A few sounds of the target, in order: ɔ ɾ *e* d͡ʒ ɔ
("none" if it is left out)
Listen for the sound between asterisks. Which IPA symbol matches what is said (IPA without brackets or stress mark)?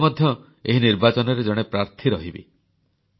e